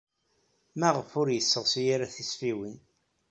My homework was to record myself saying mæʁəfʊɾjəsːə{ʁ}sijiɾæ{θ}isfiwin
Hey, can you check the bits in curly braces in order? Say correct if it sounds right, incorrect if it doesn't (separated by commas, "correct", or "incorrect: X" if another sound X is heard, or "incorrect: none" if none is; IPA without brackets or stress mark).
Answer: correct, correct